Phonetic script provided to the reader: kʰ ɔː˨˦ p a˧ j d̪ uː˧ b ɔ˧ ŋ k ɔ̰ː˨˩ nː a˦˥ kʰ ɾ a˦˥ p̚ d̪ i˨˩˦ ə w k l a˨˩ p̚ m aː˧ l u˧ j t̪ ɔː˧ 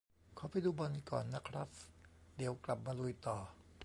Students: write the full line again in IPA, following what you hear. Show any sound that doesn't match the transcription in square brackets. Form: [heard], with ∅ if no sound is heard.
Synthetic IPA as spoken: kʰ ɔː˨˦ p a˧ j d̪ uː˧ b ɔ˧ [n] k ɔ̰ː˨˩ nː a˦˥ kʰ ɾ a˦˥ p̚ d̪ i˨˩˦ ə w k l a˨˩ p̚ m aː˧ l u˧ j t̪ [ɔː˨˩]